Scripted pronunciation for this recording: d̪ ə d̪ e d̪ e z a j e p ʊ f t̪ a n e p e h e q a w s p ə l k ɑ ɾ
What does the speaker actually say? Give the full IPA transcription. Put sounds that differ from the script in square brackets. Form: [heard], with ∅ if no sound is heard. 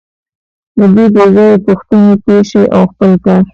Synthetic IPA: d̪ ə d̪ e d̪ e z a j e p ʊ [x] t̪ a n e p e [ʃ] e [ʔ] a w [x] p ə l k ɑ ɾ